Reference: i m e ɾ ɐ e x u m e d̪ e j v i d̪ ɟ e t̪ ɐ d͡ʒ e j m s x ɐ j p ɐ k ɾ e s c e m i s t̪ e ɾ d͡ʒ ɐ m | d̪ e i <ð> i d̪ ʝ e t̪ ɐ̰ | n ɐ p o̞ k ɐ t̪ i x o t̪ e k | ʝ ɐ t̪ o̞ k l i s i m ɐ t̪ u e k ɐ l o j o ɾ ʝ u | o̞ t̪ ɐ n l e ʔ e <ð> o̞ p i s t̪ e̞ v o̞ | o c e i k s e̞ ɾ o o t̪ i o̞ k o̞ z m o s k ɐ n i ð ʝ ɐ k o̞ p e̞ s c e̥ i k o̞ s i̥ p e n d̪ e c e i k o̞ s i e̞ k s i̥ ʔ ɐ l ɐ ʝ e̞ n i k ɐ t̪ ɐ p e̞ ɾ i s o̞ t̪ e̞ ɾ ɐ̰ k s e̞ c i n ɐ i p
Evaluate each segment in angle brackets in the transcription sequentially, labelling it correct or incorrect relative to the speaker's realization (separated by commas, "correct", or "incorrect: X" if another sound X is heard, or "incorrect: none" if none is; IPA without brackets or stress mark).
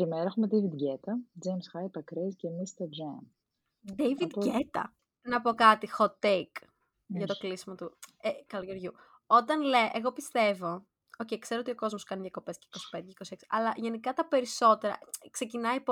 incorrect: v, incorrect: ɣ